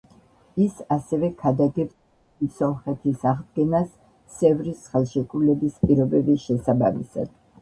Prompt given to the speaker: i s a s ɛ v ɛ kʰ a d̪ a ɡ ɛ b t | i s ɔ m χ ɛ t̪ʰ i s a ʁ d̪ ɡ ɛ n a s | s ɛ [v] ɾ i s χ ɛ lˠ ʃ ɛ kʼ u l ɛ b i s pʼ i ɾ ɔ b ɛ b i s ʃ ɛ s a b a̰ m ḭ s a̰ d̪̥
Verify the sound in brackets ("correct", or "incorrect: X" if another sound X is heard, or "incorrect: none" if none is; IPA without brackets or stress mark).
correct